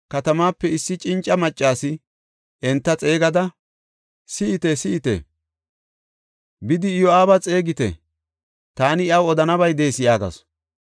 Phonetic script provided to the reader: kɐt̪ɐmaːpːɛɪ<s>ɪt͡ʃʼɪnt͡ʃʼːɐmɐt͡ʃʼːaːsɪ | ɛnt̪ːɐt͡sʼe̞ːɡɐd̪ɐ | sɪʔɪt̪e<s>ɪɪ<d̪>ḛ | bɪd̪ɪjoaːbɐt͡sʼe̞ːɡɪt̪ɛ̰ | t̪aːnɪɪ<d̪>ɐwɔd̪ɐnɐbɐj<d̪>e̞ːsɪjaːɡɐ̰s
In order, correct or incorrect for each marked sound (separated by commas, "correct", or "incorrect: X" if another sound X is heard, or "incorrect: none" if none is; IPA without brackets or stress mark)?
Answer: incorrect: sː, correct, incorrect: t̪, incorrect: none, correct